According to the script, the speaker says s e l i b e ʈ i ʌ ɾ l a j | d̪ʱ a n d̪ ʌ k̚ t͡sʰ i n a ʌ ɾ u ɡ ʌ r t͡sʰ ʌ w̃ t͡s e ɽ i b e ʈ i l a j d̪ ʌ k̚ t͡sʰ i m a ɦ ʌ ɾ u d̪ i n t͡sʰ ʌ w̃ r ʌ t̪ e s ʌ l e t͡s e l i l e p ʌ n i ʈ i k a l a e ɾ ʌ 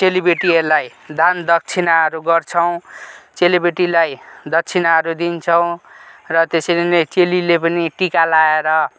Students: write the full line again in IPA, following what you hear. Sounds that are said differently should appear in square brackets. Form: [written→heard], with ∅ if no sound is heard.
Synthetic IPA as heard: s e l i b e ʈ i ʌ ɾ l a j | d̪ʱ a n d̪ ʌ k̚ t͡sʰ i n a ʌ ɾ u ɡ ʌ r t͡sʰ ʌ w̃ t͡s e [ɽ→l] i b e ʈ i l a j d̪ ʌ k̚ t͡sʰ i [m→n] a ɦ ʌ ɾ u d̪ i n t͡sʰ ʌ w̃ r ʌ t̪ e s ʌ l e t͡s e l i l e p ʌ n i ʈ i k a l a e ɾ ʌ

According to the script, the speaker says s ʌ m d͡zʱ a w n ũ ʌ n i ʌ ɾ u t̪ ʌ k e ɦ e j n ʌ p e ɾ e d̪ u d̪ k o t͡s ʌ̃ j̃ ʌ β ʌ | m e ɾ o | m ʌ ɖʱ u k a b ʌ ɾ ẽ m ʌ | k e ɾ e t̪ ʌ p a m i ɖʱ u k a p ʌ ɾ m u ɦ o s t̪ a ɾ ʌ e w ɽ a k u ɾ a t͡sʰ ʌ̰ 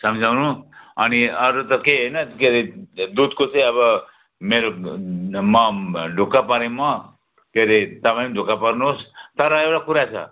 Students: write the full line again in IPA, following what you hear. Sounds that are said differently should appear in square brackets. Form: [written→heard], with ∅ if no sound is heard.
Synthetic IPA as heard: s ʌ m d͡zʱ a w n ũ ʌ n i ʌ ɾ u t̪ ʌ k e ɦ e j n ʌ [p→k] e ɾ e d̪ u d̪ k o t͡s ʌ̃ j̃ ʌ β ʌ | m e ɾ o | m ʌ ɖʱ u k a [b→p] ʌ ɾ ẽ m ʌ | k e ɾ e t̪ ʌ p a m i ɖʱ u k a p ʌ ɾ [m→n] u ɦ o s t̪ [a→ʌ] ɾ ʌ e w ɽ a k u ɾ a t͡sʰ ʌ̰

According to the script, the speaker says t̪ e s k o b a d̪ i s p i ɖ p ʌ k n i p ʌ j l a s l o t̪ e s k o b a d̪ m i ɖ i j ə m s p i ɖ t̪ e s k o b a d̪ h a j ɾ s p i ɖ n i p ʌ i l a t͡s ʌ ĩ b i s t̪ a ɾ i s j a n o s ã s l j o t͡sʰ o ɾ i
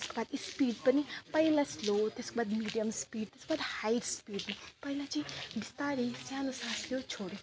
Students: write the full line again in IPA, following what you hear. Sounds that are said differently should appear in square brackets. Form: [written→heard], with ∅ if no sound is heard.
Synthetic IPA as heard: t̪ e s k o b a d̪ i s p i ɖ p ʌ [k→∅] n i p ʌ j l a s l o t̪ e s k o b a d̪ m i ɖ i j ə m s p i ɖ t̪ e s k o b a d̪ h a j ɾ s p i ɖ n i p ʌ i l a t͡s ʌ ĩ b i s t̪ a ɾ i s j a n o s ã s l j o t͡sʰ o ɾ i

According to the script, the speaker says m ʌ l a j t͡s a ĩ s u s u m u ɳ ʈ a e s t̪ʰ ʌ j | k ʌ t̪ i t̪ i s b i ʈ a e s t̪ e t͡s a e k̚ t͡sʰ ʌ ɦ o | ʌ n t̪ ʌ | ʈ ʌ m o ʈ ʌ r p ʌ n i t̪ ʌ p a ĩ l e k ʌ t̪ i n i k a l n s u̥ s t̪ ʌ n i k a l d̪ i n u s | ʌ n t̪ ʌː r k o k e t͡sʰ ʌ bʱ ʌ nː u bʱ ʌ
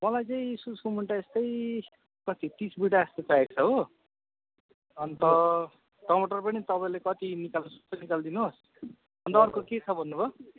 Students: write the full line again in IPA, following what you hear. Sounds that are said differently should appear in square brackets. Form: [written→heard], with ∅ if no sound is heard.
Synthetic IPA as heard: m ʌ l a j t͡s a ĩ s u s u m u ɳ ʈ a e s [t̪ʰ→t̪] ʌ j | k ʌ t̪ i t̪ i s b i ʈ a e s t̪ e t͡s a e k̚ t͡sʰ ʌ ɦ o | ʌ n t̪ ʌ | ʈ ʌ m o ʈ ʌ r p ʌ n i t̪ ʌ p a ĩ l e k ʌ t̪ i n i k a l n s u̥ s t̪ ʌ n i k a l d̪ i n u s | ʌ n t̪ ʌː r k o k e t͡sʰ ʌ bʱ ʌ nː u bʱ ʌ

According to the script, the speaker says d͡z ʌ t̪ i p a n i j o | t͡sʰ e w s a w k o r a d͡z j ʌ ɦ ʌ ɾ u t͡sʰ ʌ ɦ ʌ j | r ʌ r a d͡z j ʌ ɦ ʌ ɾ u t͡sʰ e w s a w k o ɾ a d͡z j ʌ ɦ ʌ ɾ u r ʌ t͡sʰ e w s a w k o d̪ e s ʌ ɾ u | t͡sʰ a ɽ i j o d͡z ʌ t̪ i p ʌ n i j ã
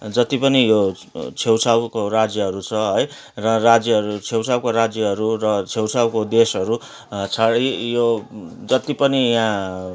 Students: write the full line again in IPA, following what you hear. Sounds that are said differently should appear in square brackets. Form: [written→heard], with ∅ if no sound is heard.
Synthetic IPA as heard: d͡z ʌ t̪ i p [a→ʌ] n i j o | t͡sʰ e w s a w k o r a d͡z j ʌ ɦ ʌ ɾ u t͡sʰ ʌ ɦ ʌ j | r ʌ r a d͡z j ʌ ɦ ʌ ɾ u t͡sʰ e w s a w k o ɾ a d͡z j ʌ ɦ ʌ ɾ u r ʌ t͡sʰ e w s a w k o d̪ e s ʌ ɾ u | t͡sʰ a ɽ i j o d͡z ʌ t̪ i p ʌ n i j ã

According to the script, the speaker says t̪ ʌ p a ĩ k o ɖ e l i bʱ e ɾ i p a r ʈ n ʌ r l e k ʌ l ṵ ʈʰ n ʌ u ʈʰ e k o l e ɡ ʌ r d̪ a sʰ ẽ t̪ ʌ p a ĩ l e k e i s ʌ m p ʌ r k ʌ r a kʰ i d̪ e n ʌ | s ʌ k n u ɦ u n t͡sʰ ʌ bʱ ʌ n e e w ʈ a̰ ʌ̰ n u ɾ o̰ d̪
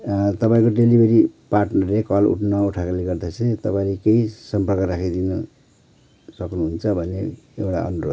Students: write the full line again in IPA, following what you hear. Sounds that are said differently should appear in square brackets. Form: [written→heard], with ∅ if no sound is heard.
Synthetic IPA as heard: t̪ ʌ p a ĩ k o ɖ e l i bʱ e ɾ i p a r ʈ n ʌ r l e k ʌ l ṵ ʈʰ n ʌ u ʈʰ [e→a] k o l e ɡ ʌ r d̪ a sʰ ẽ t̪ ʌ p a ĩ l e k e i s ʌ m p ʌ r k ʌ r a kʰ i d̪ [e→i] n ʌ | s ʌ k n u ɦ u n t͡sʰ ʌ bʱ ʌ n e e w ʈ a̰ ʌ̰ n u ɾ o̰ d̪

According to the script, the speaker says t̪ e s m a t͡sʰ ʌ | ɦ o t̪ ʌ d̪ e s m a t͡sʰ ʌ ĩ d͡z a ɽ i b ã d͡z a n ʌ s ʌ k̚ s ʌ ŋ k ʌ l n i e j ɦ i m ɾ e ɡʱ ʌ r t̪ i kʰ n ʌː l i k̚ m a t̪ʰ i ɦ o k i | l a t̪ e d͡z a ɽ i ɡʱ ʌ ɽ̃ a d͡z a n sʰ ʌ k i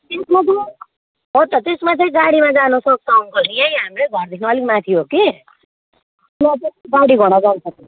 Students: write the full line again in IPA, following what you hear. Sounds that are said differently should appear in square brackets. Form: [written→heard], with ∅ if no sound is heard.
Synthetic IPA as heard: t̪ e s m a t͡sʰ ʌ | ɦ o t̪ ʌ [d̪→t̪] e s m a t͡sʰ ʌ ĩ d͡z a ɽ i [b→m] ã d͡z a n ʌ s ʌ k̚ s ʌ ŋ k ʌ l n i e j ɦ [i→a] m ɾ e ɡʱ ʌ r [t̪→d̪] i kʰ n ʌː l i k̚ m a t̪ʰ i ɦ o k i | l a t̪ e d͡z a ɽ i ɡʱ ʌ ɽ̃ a d͡z a n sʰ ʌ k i

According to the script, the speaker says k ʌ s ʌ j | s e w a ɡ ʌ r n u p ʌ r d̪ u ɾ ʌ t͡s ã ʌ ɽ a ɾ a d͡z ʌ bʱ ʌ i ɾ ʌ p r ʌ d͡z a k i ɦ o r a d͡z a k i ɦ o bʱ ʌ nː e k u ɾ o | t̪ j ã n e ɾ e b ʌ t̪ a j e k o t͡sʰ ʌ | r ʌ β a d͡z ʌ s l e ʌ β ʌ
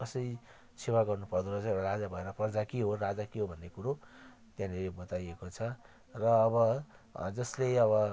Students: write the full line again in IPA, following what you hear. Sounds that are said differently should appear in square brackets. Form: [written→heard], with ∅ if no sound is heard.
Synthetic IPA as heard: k ʌ s ʌ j | s e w a ɡ ʌ r n u p ʌ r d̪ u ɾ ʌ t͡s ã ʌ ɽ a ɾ a d͡z [ʌ→a] bʱ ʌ [i→e] ɾ ʌ p r ʌ d͡z a k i ɦ o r a d͡z a k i ɦ o bʱ ʌ nː e k u ɾ o | t̪ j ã n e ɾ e b ʌ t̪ a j e k o t͡sʰ ʌ | r [ʌ→ʌː] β [a→ʌ] d͡z ʌ s l e ʌ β ʌ

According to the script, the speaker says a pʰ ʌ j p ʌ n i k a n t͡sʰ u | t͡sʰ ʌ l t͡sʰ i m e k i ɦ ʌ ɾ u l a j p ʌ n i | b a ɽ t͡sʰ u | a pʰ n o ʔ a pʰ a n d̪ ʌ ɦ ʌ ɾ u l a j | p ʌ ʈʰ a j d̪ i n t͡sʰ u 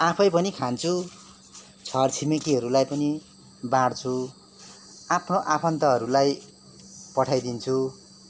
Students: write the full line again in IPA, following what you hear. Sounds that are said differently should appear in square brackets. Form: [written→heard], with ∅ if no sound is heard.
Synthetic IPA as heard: a pʰ ʌ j p ʌ n i [k→kʰ] a n t͡sʰ u | t͡sʰ ʌ [l→r] t͡sʰ i m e k i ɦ ʌ ɾ u l a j p ʌ n i | b a ɽ t͡sʰ u | a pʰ n o ʔ a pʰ [a→ʌ] n [d̪→t̪] ʌ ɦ ʌ ɾ u l a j | p ʌ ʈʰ a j d̪ i n t͡sʰ u

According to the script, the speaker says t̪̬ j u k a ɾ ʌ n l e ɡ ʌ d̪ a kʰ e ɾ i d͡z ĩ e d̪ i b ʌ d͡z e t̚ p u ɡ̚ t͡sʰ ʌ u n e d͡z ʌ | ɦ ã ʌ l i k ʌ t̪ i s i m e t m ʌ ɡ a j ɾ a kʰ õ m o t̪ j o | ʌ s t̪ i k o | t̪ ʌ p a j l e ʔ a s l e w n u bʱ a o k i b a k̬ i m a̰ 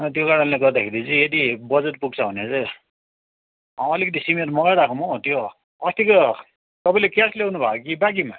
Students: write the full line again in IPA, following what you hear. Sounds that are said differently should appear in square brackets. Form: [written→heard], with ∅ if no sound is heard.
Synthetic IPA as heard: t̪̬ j [u→o] k a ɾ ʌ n l e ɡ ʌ d̪ a kʰ e ɾ i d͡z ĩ e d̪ i b ʌ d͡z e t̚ p u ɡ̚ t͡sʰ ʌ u n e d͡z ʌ | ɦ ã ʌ l i k ʌ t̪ i s i m e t m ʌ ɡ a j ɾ a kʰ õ m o t̪ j o | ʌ s t̪ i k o | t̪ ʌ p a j l e [ʔ→k] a s l e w n u bʱ a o k i b a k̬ i m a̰

